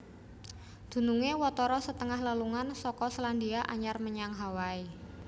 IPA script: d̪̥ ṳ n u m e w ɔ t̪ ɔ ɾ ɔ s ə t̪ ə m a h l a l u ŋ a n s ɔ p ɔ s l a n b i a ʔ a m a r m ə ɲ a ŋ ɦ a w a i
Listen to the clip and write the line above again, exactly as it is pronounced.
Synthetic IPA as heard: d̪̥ ṳ n u ŋ e w ɔ t̪ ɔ ɾ ɔ s ə t̪ ə ŋ a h l a l u ŋ a n s ɔ k ɔ s l a n d i a ʔ a ɲ a r m ə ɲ a ŋ ɦ a w a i